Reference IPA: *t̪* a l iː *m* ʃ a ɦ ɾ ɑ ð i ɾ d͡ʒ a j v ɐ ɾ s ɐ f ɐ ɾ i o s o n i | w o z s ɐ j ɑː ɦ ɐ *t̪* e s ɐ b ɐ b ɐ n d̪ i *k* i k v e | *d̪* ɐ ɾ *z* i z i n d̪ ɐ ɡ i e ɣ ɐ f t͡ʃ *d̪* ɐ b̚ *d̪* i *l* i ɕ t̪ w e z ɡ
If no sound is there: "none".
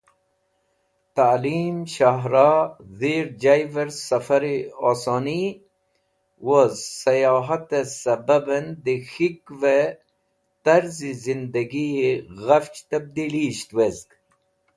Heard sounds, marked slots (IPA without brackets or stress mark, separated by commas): t̪, m, t̪, x, t̪, z, t̪, d̪, l